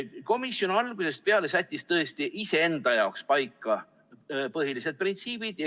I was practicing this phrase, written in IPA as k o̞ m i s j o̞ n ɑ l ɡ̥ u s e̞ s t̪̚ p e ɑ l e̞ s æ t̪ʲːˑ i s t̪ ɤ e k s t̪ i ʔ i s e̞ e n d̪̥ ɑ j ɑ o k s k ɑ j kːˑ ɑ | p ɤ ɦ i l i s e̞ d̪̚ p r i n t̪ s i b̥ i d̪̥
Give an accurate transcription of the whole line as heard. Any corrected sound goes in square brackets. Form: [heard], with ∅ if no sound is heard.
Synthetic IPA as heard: k o̞ m i s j o̞ n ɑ l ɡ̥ u s e̞ s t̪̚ p e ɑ l e̞ s æ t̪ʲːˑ i s t̪ ɤ e [∅] s t̪ i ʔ i s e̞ e n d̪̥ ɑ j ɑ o k s [p] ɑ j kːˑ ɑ | p ɤ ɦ i l i s e̞ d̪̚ p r i n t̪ s [iː] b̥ i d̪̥